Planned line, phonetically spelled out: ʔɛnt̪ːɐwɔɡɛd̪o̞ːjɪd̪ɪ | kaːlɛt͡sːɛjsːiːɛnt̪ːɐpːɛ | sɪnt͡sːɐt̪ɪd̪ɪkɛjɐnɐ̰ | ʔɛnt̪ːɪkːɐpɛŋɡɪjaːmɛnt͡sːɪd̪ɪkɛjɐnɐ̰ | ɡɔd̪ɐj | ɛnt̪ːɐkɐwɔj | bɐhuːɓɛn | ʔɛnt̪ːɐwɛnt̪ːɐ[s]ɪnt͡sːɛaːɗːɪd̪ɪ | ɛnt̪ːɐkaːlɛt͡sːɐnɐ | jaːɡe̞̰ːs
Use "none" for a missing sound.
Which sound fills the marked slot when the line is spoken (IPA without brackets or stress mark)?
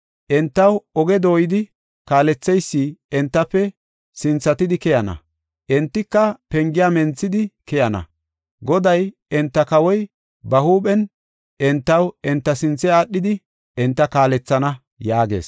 s